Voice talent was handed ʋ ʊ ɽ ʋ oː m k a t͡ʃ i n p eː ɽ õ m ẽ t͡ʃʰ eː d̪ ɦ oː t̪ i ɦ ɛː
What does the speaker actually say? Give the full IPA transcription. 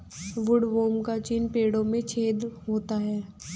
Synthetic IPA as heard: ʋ ʊ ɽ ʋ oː m k a t͡ʃ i n p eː ɽ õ m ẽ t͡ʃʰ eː d̪ ɦ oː t̪ a ɦ ɛː